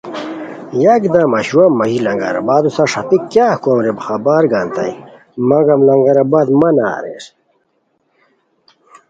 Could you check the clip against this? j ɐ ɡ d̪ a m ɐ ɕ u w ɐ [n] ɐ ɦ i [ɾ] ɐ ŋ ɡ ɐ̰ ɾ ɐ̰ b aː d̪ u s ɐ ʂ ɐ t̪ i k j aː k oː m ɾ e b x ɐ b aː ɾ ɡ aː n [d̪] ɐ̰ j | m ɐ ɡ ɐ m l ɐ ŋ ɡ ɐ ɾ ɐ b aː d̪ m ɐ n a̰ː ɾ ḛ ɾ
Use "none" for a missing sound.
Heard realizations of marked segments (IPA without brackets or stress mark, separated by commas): m, l, t̪